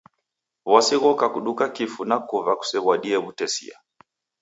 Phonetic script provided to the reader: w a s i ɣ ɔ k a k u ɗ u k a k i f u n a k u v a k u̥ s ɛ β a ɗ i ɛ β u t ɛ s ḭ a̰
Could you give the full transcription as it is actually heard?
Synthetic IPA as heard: w a s i ɣ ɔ k a k u ɗ u k a k i f u n a k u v a k u̥ s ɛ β a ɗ i ɛ β u t ɛ s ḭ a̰